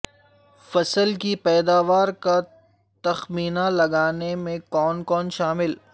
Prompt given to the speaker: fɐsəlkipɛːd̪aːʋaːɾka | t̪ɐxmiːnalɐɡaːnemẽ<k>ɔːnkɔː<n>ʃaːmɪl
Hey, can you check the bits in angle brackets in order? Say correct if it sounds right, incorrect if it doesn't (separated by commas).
correct, correct